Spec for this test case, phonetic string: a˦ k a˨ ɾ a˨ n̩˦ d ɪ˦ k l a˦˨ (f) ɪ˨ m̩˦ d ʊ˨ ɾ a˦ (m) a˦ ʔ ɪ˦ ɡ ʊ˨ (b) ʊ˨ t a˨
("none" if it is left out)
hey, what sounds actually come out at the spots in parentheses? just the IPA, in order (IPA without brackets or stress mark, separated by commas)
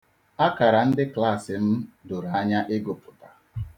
s, ɲ, p